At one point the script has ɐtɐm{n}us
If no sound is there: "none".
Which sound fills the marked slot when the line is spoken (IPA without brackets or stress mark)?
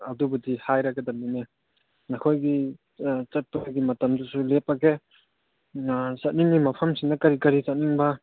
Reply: d